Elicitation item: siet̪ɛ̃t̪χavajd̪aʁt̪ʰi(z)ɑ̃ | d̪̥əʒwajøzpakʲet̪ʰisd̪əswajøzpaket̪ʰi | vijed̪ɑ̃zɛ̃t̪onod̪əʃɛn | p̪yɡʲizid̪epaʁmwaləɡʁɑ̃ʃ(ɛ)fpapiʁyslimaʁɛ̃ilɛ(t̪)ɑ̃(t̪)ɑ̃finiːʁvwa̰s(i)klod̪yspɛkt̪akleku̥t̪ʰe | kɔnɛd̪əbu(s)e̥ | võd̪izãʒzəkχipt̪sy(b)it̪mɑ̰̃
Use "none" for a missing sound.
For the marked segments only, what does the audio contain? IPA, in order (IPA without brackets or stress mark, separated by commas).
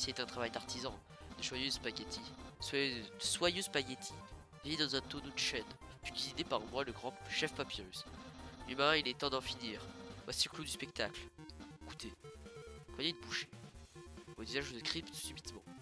z, ɛ, t̪, d̪, i, ʃ, b